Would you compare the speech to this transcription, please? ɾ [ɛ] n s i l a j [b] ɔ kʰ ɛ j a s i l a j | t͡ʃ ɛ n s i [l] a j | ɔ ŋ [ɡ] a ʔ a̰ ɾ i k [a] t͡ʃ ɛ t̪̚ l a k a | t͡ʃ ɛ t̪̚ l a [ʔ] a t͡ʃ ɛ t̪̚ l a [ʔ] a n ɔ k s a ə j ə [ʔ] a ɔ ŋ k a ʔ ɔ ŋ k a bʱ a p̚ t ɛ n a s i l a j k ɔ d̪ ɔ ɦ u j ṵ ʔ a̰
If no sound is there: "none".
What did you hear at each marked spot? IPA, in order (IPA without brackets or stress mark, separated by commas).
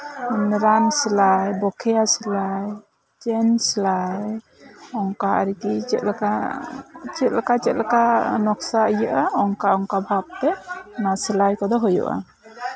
a, b, l, k, i, k, k, ʔ